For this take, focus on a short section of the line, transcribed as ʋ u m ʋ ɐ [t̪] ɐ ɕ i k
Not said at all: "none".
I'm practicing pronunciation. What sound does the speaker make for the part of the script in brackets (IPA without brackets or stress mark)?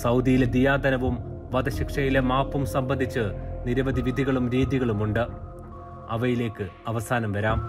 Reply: d̪